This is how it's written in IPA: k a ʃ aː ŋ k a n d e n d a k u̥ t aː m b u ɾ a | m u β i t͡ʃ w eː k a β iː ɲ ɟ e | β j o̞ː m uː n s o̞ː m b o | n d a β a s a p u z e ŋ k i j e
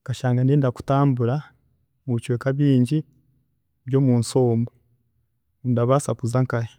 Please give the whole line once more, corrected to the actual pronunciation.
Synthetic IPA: k a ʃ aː ŋ ɡ a n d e n d a k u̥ t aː m b u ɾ a | m u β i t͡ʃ w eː k a β iː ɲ ɟ i | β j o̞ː m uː n s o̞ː m b o | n d a β a s a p u z a ŋ k a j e